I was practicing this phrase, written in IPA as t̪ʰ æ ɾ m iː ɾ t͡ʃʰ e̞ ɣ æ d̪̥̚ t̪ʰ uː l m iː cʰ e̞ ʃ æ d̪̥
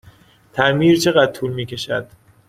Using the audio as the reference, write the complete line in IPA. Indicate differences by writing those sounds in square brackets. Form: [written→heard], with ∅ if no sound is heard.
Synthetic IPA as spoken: t̪ʰ æ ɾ m iː ɾ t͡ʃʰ e̞ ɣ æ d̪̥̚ t̪ʰ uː l m iː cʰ e̞ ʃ æ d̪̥